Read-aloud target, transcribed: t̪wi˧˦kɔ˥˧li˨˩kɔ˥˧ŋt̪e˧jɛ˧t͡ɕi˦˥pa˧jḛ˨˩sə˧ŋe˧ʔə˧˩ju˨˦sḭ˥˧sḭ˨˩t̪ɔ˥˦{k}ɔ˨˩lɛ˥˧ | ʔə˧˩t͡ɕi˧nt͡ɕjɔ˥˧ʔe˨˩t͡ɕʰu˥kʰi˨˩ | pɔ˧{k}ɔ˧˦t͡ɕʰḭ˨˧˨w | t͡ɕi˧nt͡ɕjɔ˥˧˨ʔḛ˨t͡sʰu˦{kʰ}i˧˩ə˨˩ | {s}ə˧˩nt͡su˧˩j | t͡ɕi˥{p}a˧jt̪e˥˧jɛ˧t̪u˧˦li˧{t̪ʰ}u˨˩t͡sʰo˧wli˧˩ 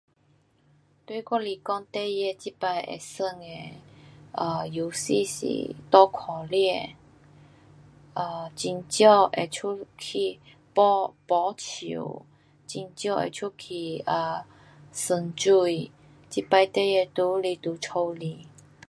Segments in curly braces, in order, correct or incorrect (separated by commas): incorrect, incorrect, correct, correct, correct, incorrect